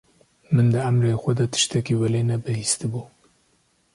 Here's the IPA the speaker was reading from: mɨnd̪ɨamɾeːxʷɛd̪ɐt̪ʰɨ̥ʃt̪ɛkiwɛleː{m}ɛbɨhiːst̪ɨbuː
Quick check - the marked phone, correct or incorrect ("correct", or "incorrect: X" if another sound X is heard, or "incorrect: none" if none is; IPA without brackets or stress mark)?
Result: incorrect: n